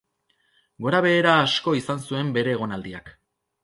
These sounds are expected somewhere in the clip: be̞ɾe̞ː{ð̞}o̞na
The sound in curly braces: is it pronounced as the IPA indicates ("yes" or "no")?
no